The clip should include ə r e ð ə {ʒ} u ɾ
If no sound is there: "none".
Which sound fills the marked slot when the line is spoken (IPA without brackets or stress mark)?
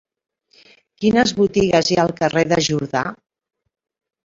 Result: ʒ